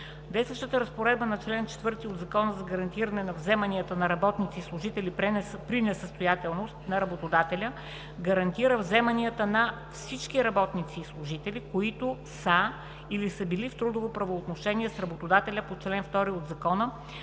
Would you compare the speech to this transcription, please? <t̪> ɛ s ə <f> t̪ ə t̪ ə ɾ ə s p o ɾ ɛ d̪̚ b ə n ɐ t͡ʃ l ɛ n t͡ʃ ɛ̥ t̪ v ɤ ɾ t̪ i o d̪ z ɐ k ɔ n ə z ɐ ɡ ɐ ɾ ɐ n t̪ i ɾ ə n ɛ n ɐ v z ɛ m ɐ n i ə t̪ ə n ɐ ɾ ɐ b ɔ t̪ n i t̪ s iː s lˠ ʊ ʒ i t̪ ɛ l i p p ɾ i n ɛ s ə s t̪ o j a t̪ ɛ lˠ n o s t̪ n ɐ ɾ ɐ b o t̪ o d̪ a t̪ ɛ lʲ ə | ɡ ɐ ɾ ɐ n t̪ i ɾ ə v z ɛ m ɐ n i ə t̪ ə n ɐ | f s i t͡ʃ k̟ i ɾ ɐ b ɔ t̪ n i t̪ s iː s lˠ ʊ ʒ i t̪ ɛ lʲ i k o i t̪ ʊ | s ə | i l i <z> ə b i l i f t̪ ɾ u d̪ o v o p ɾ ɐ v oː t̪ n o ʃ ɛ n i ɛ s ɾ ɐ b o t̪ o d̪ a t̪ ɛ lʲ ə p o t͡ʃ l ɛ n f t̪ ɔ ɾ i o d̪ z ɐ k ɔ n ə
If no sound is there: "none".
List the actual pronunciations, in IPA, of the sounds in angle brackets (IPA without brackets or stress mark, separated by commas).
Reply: d̪, ʃ, s